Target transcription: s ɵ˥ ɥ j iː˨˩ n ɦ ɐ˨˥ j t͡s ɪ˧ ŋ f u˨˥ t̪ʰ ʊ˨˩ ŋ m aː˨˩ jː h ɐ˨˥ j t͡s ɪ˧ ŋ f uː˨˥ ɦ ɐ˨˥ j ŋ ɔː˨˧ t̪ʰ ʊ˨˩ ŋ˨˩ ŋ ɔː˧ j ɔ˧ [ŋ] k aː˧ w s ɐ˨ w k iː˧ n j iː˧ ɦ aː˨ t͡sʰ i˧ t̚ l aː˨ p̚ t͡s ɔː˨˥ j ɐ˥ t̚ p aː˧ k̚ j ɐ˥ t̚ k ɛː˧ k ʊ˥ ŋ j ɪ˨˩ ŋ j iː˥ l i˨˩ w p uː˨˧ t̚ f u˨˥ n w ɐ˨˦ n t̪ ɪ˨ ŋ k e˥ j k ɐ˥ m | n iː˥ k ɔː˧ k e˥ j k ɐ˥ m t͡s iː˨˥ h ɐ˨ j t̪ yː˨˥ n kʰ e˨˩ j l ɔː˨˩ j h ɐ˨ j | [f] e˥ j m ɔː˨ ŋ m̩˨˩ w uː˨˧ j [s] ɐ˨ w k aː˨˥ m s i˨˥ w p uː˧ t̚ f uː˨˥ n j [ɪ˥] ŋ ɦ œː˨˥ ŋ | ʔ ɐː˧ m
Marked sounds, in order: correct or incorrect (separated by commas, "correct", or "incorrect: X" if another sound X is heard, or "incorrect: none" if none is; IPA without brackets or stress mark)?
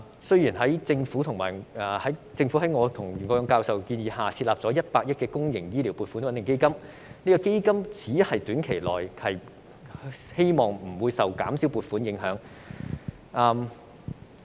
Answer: correct, incorrect: h, correct, incorrect: ɪ˨˥